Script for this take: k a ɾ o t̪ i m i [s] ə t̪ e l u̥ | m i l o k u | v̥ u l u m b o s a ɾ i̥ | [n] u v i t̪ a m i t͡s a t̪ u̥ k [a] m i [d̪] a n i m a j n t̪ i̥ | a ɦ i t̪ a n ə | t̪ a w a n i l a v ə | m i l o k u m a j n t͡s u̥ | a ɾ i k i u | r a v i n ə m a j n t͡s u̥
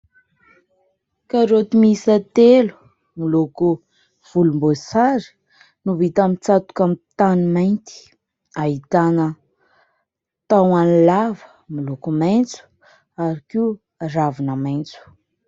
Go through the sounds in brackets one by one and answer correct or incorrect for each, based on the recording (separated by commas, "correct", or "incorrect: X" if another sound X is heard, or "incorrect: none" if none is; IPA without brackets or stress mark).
correct, correct, correct, incorrect: t̪